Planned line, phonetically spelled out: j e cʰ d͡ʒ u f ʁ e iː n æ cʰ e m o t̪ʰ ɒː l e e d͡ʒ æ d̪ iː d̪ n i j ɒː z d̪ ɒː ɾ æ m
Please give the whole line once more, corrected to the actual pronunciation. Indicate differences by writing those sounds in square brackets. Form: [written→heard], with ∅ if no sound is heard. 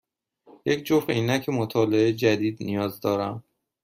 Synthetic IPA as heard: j e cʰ d͡ʒ [u→o] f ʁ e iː n æ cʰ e m o t̪ʰ ɒː l e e d͡ʒ æ d̪ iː d̪ n i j ɒː z d̪ ɒː ɾ æ m